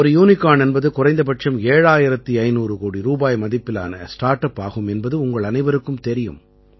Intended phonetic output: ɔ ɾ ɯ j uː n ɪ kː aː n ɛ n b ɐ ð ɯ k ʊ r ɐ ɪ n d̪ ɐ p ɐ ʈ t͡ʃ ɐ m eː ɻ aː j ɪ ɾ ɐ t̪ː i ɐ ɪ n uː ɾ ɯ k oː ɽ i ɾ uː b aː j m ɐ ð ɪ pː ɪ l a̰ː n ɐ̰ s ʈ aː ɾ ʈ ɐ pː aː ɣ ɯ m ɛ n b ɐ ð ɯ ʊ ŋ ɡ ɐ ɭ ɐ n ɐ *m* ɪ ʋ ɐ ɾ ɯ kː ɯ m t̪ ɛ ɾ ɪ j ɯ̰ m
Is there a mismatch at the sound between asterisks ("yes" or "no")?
yes